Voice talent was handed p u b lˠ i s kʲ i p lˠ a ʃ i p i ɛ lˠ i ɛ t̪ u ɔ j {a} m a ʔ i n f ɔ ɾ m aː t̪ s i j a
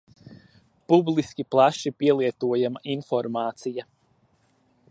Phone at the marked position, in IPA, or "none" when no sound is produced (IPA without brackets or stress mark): a